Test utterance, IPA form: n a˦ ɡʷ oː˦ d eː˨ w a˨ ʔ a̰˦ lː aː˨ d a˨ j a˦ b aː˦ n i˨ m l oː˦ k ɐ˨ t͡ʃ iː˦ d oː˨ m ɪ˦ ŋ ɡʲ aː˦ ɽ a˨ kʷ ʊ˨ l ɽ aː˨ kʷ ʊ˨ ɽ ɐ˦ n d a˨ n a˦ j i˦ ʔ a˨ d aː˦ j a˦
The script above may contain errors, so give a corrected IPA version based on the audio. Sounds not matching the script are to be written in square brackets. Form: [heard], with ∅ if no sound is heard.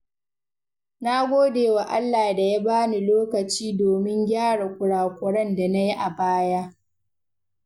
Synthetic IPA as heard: n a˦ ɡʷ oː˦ d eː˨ w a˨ ʔ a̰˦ lː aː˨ d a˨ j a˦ b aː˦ n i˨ [∅] l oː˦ k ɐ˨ t͡ʃ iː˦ d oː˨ m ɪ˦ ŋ ɡʲ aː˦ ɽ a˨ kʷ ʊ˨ [∅] ɽ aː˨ kʷ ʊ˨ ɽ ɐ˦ n d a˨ n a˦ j i˦ ʔ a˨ [b] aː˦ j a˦